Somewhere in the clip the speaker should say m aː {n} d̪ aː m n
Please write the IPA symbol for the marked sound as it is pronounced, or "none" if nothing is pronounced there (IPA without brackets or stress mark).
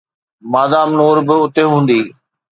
none